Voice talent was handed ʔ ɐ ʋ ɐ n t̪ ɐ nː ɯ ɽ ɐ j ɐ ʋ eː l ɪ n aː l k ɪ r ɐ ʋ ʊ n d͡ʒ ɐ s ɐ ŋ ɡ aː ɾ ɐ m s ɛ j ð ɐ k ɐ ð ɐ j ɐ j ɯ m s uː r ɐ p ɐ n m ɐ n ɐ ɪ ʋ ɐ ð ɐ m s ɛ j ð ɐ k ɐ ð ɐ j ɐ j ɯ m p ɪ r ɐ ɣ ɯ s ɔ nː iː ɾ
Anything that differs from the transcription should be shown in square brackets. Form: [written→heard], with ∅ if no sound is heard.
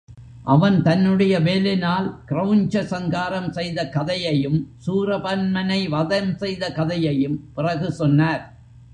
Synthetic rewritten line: ʔ ɐ ʋ ɐ n t̪ ɐ nː ɯ ɽ ɐ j ɐ ʋ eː l ɪ n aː l k ɪ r ɐ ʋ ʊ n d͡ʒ ɐ s ɐ ŋ ɡ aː ɾ ɐ m s ɛ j ð ɐ k ɐ ð ɐ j ɐ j ɯ m s uː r ɐ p ɐ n m ɐ n ɐ ɪ ʋ ɐ ð ɐ m s ɛ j ð ɐ k ɐ ð ɐ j ɐ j ɯ m p ɪ r ɐ ɣ ɯ s ɔ nː [iː→aː] ɾ